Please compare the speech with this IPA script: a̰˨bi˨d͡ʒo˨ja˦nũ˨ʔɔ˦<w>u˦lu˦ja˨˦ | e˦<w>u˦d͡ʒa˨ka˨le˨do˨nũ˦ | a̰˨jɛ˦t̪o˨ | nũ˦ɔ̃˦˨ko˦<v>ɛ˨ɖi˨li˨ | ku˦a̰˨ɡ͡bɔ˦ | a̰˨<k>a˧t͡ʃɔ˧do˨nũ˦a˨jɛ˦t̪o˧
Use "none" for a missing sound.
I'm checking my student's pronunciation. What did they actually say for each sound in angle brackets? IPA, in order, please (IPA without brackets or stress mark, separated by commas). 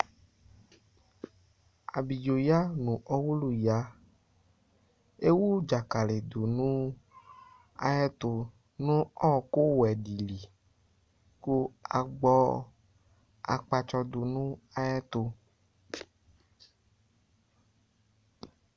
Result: w, w, w, k͡p